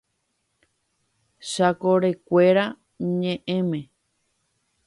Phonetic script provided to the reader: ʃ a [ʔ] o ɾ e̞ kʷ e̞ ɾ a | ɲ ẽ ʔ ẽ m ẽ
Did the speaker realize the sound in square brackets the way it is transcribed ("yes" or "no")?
no